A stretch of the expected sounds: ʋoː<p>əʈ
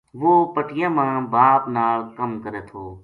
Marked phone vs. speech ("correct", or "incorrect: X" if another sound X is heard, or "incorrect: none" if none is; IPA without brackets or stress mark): correct